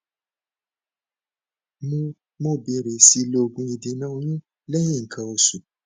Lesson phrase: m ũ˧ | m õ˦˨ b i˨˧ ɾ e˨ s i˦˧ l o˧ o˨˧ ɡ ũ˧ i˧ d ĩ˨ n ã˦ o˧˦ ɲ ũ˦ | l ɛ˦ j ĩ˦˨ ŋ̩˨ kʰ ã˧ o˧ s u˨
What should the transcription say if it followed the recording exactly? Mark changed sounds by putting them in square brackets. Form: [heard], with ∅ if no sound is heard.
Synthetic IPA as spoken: m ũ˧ | m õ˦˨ b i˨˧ ɾ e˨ s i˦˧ l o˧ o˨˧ ɡ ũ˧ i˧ d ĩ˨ n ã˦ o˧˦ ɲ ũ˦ | l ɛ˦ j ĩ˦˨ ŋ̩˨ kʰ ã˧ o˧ s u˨